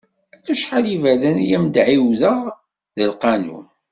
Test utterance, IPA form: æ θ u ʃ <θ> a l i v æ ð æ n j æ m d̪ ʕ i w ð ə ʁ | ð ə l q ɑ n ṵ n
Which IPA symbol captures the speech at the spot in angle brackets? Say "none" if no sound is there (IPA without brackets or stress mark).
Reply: ħ